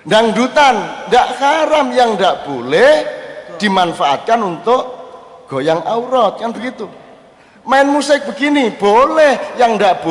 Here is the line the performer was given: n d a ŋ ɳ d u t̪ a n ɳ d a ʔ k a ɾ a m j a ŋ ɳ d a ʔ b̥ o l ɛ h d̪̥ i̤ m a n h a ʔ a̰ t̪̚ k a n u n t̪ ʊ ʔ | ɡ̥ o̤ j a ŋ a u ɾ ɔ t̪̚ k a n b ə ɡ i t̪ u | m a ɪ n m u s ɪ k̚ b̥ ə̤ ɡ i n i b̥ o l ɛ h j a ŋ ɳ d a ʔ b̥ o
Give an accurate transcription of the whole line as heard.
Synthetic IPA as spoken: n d a ŋ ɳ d u t̪ a n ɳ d a ʔ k a ɾ a m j a ŋ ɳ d a ʔ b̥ o l ɛ h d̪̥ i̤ m a n f a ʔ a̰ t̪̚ k a n u n t̪ ʊ ʔ | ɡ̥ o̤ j a ŋ a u ɾ ɔ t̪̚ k a n b ə ɡ i t̪ u | m a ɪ n m u s ɪ k̚ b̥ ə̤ ɡ i n i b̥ o l ɛ h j a ŋ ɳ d a ʔ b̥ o